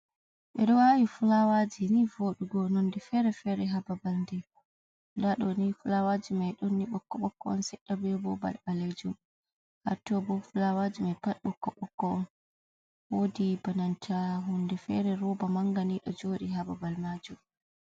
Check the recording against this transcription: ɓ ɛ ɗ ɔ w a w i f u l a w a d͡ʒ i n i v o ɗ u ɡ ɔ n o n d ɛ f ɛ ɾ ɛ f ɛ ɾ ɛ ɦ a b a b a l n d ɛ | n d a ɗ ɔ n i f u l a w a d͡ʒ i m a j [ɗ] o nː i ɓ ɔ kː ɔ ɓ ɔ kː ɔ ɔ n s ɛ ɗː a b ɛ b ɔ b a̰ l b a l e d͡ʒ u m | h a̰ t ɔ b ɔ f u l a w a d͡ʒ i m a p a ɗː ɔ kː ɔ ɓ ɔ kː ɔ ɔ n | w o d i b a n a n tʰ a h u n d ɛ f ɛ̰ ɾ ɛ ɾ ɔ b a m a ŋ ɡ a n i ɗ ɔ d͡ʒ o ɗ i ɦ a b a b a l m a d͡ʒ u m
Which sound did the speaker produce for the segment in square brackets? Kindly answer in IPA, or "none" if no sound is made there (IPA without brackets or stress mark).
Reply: ɗ